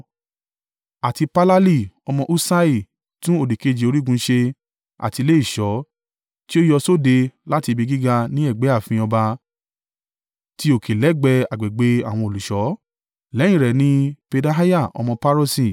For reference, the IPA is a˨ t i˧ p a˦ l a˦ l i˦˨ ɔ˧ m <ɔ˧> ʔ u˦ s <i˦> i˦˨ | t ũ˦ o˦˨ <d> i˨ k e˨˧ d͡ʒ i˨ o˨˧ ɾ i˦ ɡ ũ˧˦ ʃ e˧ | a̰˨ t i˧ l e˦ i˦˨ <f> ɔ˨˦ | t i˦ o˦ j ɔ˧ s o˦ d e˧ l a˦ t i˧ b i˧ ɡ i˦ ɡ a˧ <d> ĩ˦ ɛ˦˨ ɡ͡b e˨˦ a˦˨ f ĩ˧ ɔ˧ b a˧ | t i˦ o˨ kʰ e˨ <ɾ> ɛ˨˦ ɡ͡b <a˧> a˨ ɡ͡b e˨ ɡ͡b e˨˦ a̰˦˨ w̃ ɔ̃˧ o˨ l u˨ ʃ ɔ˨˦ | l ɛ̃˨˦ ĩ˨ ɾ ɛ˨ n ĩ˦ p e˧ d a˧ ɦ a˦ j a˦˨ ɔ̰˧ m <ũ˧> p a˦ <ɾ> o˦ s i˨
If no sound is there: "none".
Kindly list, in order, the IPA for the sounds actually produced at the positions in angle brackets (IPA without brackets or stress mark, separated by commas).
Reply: ɔ̃˧, a˦, d, ʃ, n, l, ɛ˧, ɔ̃˧, ɾ